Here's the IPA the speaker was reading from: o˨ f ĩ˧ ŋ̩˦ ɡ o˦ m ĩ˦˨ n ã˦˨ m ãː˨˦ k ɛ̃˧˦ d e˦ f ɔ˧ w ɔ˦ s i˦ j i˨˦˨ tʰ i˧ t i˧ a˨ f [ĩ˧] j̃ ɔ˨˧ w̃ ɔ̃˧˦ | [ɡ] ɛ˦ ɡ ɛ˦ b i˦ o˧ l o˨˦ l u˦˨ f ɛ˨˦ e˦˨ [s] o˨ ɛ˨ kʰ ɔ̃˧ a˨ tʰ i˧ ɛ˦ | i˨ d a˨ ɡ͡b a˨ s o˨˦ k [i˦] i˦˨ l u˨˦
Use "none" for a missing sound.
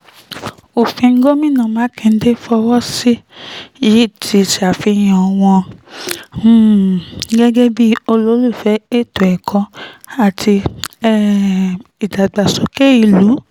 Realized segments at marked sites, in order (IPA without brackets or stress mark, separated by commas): i˧, ɡ, t, e˦